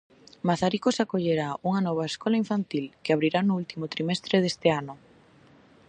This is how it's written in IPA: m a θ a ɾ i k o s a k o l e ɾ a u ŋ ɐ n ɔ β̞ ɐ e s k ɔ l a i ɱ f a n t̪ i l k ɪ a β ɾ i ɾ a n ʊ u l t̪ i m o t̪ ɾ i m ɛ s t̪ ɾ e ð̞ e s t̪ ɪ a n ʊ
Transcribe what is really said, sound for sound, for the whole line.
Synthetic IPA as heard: m a θ a ɾ i k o s a k o ʎ e ɾ a u ŋ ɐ n ɔ β̞ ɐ e s k ɔ l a i ɱ f a n t̪ i l k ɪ a β ɾ i ɾ a n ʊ u l t̪ i m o t̪ ɾ i m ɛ s t̪ ɾ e ð̞ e s t̪ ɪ a n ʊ